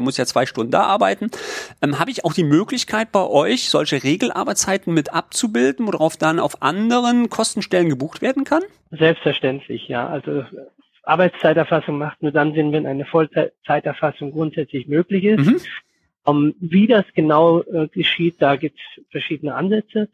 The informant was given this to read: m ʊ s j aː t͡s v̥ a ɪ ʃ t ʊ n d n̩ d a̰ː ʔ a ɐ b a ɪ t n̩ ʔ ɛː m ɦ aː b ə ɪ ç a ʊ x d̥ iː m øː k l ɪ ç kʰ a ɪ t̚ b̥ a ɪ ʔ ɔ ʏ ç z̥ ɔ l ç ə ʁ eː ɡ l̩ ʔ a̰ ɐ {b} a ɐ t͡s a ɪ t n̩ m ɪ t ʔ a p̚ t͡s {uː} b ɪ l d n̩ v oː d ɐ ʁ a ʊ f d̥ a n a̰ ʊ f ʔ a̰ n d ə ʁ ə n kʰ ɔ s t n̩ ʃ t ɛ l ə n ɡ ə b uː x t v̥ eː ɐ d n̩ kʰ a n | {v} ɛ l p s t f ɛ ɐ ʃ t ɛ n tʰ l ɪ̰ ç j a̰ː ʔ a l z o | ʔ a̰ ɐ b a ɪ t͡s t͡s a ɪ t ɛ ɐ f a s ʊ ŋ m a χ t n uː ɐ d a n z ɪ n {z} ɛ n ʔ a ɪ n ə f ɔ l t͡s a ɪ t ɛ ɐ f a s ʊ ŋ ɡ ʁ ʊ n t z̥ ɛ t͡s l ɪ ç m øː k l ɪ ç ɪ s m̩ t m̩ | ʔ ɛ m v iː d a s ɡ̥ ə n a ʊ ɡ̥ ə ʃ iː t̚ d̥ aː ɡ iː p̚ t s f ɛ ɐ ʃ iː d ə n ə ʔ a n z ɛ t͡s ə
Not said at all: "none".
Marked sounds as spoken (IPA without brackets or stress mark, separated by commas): b, u, z, v